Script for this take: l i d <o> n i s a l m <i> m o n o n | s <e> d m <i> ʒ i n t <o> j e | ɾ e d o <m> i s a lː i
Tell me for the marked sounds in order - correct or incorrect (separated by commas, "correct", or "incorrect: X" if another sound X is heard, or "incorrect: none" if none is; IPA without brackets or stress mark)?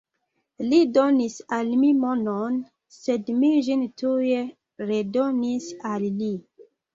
correct, correct, correct, correct, incorrect: u, incorrect: n